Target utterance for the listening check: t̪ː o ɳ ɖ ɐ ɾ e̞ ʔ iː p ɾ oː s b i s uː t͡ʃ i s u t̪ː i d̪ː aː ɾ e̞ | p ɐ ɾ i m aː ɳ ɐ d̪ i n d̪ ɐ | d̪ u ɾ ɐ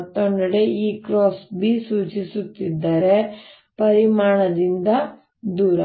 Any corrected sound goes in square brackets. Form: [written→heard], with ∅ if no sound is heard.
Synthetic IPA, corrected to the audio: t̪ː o ɳ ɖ ɐ [ɾ→ɽ] e̞ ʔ iː [p→k] ɾ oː s b i s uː t͡ʃ i s u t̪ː i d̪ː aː ɾ e̞ | p ɐ ɾ i m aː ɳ ɐ d̪ i n d̪ ɐ | d̪ [u→uː] ɾ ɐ